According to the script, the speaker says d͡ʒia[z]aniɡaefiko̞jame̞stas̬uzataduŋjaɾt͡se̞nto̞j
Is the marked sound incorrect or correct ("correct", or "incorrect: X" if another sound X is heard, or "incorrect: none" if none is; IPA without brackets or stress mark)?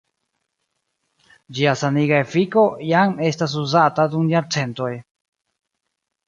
incorrect: s